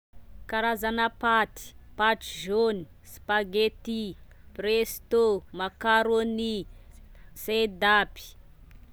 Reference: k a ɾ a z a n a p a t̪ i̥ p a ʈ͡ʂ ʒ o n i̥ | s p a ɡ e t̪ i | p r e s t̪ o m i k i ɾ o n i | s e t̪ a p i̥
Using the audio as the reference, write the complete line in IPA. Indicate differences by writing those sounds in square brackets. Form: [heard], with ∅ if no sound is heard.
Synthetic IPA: k a ɾ a z a n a p a t̪ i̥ p a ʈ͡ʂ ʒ o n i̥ | s p a ɡ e t̪ i | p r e s t̪ o m [a] k [a] ɾ o n i | s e [d̪] a p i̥